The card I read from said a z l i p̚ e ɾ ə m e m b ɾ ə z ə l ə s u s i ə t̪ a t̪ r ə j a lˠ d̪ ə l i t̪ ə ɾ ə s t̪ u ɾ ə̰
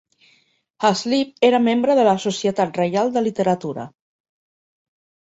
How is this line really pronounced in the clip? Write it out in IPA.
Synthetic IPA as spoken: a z l i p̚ e ɾ ə m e m b ɾ ə ð ə l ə s u s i ə t̪ a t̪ r ə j a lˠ d̪ ə l i t̪ ə ɾ ə t̪ u ɾ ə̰

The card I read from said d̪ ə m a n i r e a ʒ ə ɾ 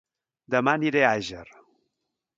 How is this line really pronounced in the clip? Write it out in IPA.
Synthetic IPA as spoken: d̪ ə m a n i ɾ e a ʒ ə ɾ

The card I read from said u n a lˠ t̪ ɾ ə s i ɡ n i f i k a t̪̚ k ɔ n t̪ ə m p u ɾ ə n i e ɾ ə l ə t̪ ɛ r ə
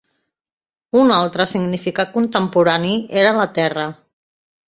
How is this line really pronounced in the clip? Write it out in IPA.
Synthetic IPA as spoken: u n a lˠ t̪ ɾ ə s i ɡ n i f i k a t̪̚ k u n t̪ ə m p u ɾ a n i e ɾ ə l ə t̪ ɛ r ə

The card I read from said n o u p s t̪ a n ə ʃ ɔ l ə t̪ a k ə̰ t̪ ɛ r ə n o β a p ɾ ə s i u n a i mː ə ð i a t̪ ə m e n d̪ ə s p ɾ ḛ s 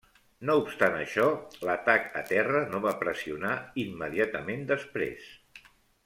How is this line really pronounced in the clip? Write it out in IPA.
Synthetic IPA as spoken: n o u p s t̪ a n ə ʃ ɔ l ə t̪ a k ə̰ t̪ ɛ r ə n o β a p ɾ ə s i u n a i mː ə ð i a t̪ ə m e n d̪ ə s p ɾ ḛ s

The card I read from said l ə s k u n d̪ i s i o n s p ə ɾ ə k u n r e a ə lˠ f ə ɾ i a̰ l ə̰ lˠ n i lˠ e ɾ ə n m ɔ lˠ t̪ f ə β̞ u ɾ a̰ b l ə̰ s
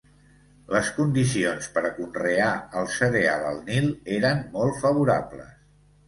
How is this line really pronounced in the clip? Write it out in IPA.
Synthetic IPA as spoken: l ə s k u n d̪ i s i o n s p ə ɾ ə k u n r e a ə lˠ s ə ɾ e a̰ l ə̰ lˠ n i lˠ e ɾ ə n m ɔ lˠ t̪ f ə β̞ u ɾ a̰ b l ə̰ s

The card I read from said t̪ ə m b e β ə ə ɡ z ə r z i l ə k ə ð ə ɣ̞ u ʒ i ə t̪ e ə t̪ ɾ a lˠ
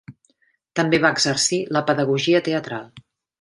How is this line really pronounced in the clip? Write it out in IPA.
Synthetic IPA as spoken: t̪ ə m b e β a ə ɡ z ə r s i l ə p ə ð ə ɣ̞ u ʒ i ə t̪ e ə t̪ ɾ a lˠ

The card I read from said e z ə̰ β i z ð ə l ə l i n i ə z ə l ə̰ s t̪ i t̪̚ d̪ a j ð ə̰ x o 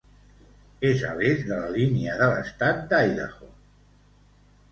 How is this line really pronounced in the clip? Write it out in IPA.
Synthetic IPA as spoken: e z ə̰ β e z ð ə l ə l i n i ə ð ə l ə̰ s t̪ a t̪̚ d̪ a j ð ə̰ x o

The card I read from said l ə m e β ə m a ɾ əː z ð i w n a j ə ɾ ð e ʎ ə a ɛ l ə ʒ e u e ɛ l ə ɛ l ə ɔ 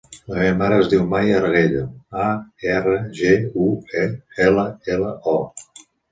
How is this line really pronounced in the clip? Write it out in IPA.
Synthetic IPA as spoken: l ə m e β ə m a ɾ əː z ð i w m a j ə ɾ ɣ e ʎ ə a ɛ r ə ʒ e u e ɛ l ə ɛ l ə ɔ

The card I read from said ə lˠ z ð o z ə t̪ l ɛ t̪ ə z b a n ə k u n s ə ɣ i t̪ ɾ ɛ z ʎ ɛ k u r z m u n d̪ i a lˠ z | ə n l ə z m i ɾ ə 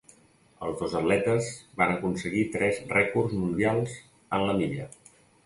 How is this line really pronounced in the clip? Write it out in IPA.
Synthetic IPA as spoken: ə lˠ z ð o z ə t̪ l ɛ t̪ ə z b a n ə k u n s ə ɣ i t̪ ɾ ɛ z r ɛ k u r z m u n d̪ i a lˠ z | ə n l ə m i ʎ ə

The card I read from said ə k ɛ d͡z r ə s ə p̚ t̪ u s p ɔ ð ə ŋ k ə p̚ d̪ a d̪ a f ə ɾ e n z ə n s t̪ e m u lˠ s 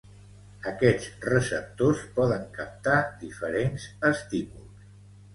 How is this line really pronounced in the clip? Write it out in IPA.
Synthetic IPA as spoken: ə k ɛ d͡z r ə s ə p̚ t̪ o s p ɔ ð ə ŋ k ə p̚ t̪ a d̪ i f ə ɾ e n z ə s t̪ i m u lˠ s

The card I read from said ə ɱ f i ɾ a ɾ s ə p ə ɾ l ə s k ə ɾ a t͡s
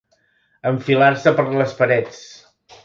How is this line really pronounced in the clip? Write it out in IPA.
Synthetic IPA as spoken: ə ɱ f i l a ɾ s ə p ə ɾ l ə s p ə ɾ ɛ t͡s

